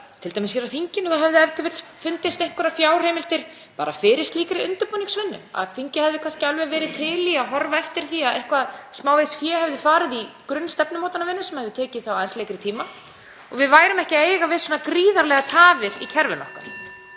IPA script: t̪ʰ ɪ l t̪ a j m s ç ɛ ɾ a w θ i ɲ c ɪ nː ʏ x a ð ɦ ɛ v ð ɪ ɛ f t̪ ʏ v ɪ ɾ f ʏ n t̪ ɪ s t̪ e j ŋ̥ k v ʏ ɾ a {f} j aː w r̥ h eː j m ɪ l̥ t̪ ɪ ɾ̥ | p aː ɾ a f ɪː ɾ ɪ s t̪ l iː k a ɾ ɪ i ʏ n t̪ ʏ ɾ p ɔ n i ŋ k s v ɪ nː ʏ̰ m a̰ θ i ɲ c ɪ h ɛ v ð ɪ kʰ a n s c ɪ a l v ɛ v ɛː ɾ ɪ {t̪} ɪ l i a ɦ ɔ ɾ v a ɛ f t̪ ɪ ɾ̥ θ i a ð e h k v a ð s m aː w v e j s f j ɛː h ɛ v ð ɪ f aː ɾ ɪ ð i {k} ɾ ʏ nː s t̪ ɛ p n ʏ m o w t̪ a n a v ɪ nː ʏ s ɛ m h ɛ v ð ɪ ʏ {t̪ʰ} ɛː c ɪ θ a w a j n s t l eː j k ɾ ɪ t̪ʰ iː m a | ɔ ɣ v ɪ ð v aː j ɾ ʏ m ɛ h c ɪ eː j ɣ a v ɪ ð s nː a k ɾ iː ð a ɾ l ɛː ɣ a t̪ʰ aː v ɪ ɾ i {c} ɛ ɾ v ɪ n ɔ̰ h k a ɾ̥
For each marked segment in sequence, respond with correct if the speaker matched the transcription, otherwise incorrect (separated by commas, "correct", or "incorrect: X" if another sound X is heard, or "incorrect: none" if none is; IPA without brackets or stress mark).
correct, incorrect: t̪ʰ, correct, correct, incorrect: cʰ